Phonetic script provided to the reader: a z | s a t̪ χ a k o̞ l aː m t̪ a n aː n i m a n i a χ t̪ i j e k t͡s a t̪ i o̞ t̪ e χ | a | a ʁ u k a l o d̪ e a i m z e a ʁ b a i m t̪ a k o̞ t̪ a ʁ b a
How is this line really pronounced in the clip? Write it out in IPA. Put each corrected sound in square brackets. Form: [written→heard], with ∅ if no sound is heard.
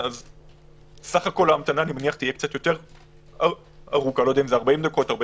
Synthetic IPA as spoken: a z | s a [t̪→∅] χ a k o̞ l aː m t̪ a n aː n i m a n i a χ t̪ i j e k t͡s a t̪ [i→j] o̞ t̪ e [χ→ʁ] | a | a ʁ u k a l o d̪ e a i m z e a ʁ b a i m [t̪→d̪] a k o̞ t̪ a ʁ b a